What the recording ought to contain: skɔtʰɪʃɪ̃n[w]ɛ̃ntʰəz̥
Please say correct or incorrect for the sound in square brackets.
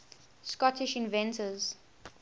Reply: incorrect